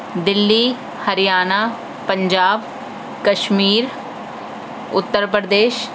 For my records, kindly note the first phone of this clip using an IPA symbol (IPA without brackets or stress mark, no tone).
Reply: d̪